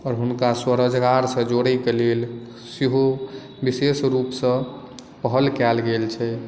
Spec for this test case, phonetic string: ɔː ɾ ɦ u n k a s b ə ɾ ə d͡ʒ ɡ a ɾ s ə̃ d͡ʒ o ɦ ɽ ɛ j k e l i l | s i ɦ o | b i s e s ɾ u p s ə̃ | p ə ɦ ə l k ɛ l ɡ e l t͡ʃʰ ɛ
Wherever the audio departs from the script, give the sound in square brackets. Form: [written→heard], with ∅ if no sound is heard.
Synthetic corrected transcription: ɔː ɾ ɦ u n k a s [b→w] ə ɾ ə d͡ʒ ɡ a ɾ s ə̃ d͡ʒ o [ɦ→∅] ɽ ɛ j k e l [i→e] l | s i ɦ o | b i s e s ɾ u p s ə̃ | p ə ɦ ə l k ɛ l ɡ e l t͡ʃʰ ɛ